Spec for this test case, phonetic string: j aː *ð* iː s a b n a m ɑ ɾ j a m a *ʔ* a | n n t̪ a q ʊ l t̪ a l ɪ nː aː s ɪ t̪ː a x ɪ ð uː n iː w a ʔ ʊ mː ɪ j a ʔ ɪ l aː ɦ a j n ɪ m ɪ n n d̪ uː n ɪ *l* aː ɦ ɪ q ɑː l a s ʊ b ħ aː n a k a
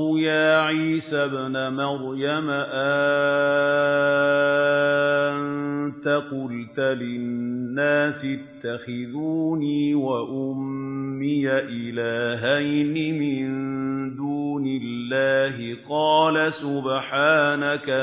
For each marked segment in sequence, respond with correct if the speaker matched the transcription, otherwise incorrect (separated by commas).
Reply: incorrect, correct, incorrect